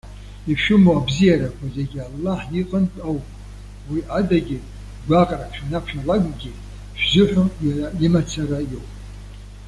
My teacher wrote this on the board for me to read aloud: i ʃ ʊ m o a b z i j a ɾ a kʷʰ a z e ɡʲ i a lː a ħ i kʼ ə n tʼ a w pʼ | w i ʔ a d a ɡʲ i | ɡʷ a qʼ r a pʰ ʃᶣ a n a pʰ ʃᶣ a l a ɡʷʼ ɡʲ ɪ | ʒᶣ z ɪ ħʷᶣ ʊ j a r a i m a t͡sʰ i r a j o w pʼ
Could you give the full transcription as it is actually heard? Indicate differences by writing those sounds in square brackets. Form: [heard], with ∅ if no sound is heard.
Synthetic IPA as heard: i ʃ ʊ m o a b z i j a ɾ a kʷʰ a z e ɡʲ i a lː a ħ i [qʼ] ə n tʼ a w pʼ | w i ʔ a d a ɡʲ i | ɡʷ a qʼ r a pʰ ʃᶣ a n a pʰ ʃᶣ a l a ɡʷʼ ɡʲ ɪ | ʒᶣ z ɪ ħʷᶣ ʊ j a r a i m a t͡sʰ [a] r a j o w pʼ